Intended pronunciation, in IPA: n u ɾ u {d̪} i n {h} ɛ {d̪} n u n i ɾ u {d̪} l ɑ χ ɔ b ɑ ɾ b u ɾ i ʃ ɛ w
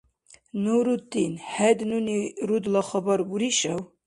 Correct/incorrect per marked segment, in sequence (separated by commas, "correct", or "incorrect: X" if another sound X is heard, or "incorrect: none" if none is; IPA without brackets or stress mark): incorrect: t̪, correct, correct, correct